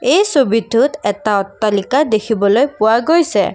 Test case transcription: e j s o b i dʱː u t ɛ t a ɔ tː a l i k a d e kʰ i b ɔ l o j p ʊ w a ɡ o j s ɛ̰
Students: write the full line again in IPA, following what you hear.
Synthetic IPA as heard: e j s o b i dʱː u t ɛ t a ɔ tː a l i k a d e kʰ i b ɔ l o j p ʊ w a ɡ o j s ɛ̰

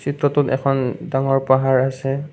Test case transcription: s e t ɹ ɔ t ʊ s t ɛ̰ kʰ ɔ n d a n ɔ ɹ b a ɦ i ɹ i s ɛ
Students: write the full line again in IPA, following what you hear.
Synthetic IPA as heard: s i t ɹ ɔ t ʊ t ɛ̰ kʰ ɔ n d a ŋ ɔ ɹ p a ɦ a ɹ a s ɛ

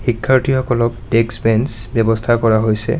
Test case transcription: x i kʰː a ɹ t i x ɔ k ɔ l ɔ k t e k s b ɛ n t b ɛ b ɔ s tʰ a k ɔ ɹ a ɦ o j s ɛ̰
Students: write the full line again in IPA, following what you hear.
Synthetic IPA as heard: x i kʰː a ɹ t i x ɔ k ɔ l ɔ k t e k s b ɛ n s b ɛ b ɔ s tʰ a k ɔ ɹ a ɦ o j s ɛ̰

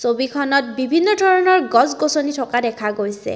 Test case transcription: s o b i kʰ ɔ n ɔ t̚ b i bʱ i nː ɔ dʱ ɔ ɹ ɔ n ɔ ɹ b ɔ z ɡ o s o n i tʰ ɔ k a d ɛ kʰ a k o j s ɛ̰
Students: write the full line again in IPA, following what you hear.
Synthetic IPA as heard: s o b i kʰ ɔ n ɔ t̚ b i bʱ i nː ɔ dʱ ɔ ɹ ɔ n ɔ ɹ ɡ ɔ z ɡ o s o n i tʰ ɔ k a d ɛ kʰ a ɡ o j s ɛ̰

